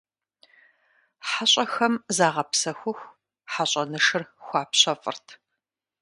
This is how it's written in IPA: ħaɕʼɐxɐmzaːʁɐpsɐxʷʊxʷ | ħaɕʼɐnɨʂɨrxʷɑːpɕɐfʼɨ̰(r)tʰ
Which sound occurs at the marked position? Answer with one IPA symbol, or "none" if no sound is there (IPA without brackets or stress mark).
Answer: r